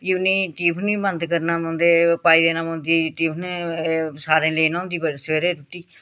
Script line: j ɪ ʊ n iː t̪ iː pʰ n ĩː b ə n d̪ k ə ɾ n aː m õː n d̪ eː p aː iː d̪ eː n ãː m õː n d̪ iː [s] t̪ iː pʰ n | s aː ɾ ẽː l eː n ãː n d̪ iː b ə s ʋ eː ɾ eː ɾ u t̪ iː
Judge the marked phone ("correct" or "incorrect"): incorrect